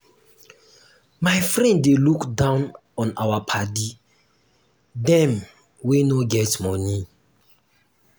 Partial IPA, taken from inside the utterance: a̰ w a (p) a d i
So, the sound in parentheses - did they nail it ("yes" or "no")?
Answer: no